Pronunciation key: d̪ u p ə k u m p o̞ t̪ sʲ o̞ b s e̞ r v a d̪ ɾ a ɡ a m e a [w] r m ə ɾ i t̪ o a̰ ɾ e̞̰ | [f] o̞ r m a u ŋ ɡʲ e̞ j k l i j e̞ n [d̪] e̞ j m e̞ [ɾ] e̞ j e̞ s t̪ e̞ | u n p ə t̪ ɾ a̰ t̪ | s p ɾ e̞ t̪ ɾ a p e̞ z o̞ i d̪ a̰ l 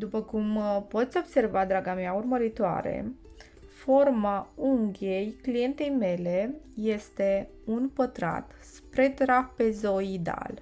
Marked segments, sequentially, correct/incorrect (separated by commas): incorrect, correct, incorrect, incorrect